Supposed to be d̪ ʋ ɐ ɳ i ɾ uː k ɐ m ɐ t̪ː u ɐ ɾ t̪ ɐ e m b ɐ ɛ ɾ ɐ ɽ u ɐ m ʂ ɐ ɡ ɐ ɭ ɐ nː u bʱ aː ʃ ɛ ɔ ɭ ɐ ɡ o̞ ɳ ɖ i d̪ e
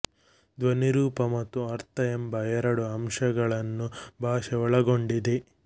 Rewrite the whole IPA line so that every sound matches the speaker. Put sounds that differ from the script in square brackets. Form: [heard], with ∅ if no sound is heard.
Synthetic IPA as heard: d̪ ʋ ɐ [n] i ɾ uː [p] ɐ m ɐ t̪ː u ɐ ɾ t̪ ɐ e m b ɐ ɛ ɾ ɐ ɽ u ɐ m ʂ ɐ ɡ ɐ ɭ ɐ nː u bʱ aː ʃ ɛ ɔ ɭ ɐ ɡ o̞ ɳ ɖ i d̪ e